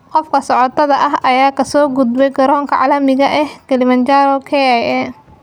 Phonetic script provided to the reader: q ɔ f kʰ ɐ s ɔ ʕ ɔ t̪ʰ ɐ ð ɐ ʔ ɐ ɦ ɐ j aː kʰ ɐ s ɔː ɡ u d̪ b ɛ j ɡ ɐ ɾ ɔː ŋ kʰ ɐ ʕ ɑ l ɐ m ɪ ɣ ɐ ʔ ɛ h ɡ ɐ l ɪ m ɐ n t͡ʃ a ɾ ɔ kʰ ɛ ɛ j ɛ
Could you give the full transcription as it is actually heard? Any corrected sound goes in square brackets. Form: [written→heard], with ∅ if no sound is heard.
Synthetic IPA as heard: q ɔ f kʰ ɐ s ɔ ʕ ɔ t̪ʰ ɐ ð ɐ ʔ ɐ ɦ ɐ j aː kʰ ɐ s ɔː ɡ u d̪ b ɛ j ɡ ɐ ɾ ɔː ŋ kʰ ɐ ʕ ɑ l ɐ m ɪ ɣ ɐ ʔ ɛ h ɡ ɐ l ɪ m ɐ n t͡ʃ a ɾ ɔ kʰ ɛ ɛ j ɛ